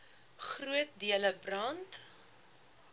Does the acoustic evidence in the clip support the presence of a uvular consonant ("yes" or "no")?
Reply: yes